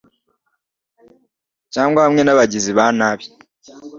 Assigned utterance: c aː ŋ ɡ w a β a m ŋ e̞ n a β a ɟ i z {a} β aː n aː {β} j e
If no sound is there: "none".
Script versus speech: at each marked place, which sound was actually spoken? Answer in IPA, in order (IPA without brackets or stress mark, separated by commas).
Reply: i, β